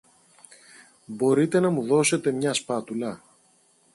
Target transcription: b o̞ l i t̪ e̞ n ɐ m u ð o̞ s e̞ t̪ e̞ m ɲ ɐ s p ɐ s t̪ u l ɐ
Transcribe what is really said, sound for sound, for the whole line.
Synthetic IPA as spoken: b o̞ ɾ i t̪ e̞ n ɐ m u ð o̞ s e̞ t̪ e̞ m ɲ ɐ s p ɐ t̪ u l ɐ